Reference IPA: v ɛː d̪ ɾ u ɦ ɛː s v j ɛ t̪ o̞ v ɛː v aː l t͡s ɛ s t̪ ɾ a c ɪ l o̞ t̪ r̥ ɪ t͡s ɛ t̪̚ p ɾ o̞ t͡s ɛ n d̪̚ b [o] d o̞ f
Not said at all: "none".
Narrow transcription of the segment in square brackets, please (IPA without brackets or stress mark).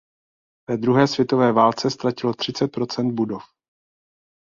u